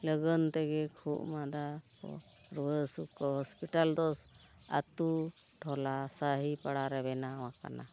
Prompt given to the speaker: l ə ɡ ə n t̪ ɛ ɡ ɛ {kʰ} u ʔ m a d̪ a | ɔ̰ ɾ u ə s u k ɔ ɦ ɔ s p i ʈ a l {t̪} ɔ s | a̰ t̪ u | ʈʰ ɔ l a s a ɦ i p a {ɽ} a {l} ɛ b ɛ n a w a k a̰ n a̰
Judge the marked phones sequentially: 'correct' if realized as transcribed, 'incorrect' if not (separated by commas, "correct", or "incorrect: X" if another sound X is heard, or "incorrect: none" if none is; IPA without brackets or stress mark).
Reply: correct, incorrect: d̪, correct, incorrect: ɾ